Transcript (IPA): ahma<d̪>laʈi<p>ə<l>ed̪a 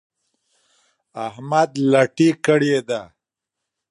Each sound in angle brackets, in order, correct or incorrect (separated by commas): correct, incorrect, incorrect